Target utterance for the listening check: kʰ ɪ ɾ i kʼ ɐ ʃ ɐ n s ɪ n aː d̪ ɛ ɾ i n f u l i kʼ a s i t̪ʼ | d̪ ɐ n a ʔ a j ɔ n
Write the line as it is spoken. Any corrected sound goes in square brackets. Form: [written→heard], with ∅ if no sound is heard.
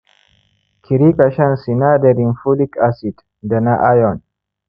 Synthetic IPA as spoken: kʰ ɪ ɾ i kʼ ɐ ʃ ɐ n s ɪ n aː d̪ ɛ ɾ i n f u l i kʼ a s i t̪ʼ | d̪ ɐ n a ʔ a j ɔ n